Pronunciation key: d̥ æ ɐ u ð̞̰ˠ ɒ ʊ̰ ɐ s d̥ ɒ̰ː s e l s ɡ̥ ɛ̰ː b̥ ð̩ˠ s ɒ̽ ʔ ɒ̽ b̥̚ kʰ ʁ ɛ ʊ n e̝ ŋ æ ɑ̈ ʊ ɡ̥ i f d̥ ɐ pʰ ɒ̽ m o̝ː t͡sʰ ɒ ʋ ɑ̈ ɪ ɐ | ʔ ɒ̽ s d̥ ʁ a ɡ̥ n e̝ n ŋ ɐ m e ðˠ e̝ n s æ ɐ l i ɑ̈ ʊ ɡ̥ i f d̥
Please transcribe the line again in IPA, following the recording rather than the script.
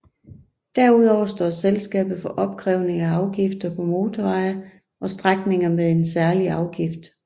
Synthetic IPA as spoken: d̥ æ ɐ u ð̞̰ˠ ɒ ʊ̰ ɐ s d̥ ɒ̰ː s e l s ɡ̥ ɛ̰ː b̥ ð̩ˠ f ɒ̽ ʔ ɒ̽ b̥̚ kʰ ʁ ɛ ʊ n e̝ ŋ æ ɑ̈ ʊ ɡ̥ i f d̥ ɐ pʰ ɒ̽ m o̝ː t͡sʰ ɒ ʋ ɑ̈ ɪ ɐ | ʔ ɒ̽ s d̥ ʁ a ɡ̥ n e̝ ŋ ɐ m e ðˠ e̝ n s æ ɐ l i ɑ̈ ʊ ɡ̥ i f d̥